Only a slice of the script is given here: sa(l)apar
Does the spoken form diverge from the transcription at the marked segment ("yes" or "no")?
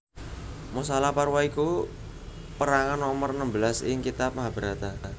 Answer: no